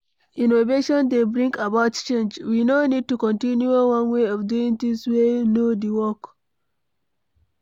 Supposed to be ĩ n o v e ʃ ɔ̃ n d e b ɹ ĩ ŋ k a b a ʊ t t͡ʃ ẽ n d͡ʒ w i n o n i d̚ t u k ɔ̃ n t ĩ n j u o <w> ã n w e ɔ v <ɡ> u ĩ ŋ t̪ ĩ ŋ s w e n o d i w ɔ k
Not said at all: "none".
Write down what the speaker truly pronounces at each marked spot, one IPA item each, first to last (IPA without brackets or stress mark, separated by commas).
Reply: w, d